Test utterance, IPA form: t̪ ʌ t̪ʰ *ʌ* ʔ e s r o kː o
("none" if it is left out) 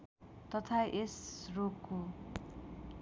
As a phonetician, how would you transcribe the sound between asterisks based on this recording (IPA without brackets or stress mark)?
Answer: a